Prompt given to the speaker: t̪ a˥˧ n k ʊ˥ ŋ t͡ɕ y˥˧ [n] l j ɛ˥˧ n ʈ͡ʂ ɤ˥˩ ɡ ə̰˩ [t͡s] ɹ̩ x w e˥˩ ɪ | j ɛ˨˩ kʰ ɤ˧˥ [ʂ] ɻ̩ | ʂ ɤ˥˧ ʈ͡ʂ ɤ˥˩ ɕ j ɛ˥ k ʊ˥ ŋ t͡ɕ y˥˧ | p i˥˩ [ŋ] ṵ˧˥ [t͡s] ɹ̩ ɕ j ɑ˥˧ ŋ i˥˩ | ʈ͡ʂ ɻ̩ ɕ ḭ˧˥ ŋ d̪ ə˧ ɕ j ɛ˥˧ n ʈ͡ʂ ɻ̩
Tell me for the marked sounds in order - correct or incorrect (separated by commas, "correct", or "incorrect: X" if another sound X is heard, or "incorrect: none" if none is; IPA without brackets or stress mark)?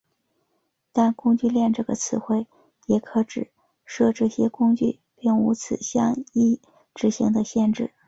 incorrect: none, incorrect: t͡sʰ, incorrect: ʈ͡ʂ, correct, incorrect: t͡sʰ